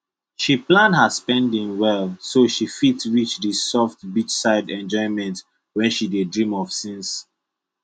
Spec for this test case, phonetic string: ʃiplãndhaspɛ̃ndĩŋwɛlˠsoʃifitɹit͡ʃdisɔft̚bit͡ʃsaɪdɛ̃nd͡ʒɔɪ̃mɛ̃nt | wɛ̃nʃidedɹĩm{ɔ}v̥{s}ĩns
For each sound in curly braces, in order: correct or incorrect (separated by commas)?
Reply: correct, correct